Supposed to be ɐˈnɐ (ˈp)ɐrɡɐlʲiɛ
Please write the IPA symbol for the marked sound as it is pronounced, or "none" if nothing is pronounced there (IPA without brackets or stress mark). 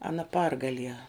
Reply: p